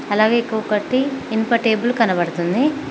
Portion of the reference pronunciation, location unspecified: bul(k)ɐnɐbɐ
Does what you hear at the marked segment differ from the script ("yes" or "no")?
no